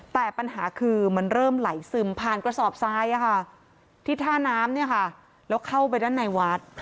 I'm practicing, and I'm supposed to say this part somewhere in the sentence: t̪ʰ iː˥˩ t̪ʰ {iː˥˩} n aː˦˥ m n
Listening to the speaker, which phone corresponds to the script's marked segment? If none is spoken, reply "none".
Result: aː˥˩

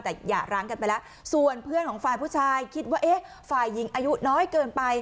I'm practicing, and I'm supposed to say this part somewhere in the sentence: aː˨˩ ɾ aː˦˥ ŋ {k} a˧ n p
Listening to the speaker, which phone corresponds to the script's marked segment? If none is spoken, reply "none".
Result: k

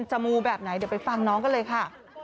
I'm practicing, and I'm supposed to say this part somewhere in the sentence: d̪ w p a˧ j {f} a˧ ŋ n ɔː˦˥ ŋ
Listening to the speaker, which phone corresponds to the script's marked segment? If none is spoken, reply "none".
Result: f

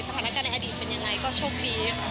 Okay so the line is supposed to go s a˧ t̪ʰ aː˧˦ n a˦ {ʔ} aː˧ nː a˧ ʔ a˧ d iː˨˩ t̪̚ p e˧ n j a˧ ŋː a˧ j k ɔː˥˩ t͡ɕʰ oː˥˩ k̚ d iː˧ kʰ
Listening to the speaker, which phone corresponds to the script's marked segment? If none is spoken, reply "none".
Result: k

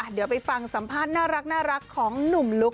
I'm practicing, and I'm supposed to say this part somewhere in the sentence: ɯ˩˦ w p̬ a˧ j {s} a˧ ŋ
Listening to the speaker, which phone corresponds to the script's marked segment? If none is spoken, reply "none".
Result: f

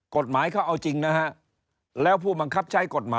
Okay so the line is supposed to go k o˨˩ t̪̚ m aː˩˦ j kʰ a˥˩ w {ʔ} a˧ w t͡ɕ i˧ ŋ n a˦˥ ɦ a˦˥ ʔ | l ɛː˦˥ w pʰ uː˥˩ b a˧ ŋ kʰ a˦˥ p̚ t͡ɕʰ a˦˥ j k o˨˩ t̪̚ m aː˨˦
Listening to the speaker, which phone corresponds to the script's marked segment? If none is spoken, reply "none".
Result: ʔ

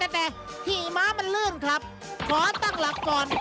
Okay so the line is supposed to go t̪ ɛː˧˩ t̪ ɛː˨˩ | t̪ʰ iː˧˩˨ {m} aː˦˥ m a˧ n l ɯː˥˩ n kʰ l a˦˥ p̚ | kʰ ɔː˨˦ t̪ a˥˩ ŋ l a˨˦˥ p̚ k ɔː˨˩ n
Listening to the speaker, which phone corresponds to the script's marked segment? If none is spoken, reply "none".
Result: m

